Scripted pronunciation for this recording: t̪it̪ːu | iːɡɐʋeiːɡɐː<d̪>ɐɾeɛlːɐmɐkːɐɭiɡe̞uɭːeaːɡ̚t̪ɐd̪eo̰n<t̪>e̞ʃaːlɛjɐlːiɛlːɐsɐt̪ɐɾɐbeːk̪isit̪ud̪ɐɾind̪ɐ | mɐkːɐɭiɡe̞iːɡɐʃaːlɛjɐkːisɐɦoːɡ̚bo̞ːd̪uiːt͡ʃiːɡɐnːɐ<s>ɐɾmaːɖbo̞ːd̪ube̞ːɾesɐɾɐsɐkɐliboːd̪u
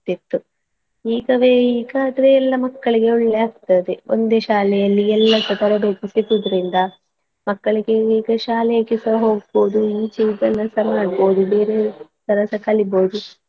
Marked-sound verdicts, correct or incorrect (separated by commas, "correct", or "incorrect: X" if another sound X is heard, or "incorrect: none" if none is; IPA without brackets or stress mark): correct, incorrect: d̪, correct